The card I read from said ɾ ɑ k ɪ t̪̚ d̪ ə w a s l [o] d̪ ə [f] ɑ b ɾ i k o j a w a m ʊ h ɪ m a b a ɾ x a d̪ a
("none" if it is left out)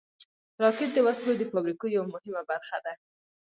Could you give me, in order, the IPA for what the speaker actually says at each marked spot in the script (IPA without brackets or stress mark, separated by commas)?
o, f